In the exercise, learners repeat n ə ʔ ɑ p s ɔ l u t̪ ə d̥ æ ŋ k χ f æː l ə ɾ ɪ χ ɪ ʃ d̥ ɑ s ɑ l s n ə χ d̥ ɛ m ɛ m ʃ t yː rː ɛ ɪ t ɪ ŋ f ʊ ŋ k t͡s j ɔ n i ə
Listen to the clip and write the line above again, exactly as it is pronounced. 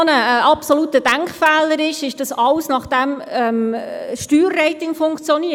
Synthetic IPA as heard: n ə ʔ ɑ p s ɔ l u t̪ ə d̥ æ ŋ k χ f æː l ə ɾ ɪ ʃ ɪ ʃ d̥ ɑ s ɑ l s n ɑ χ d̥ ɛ m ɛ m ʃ t yː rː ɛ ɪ t ɪ ŋ f ʊ ŋ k t͡s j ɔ n i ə